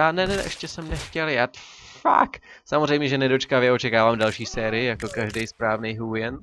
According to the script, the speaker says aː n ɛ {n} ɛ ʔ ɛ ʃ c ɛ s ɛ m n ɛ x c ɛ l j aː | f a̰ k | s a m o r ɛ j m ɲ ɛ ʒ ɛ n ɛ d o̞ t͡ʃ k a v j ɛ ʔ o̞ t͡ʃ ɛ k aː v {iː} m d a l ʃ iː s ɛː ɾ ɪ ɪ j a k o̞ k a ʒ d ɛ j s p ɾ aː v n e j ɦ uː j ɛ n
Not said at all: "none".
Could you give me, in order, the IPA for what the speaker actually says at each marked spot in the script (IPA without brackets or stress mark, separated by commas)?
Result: n, aː